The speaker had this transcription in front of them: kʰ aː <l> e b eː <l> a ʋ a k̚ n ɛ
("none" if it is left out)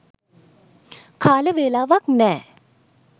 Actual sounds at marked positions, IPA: l, l

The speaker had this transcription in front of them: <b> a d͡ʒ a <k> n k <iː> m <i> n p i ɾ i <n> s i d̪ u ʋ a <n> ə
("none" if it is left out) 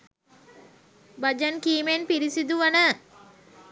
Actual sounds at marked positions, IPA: b, none, iː, e, none, n

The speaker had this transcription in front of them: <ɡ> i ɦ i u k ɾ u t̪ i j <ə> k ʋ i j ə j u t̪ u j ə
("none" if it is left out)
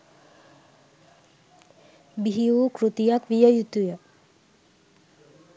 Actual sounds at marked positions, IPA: b, a

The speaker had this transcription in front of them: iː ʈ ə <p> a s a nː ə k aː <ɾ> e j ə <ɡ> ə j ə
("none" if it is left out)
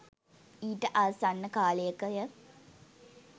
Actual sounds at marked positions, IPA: ʔ, l, k

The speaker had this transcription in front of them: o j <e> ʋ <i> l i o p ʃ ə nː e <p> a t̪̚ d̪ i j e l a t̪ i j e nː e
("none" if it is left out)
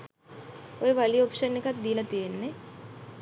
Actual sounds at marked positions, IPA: e, a, k

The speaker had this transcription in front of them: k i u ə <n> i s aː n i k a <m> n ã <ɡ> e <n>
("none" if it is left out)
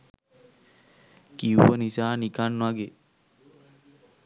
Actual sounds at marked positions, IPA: n, n, ɡ, none

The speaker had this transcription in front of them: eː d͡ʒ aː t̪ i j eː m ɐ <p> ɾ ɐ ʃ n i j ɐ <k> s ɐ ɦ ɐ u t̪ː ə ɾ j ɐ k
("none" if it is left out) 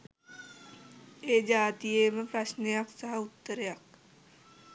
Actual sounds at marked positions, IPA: p, k

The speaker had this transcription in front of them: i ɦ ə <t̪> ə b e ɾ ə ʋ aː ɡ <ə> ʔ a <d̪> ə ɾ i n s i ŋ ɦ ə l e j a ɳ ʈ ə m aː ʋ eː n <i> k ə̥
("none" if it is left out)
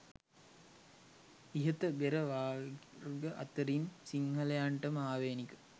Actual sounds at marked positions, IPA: t̪, ə, t̪, i

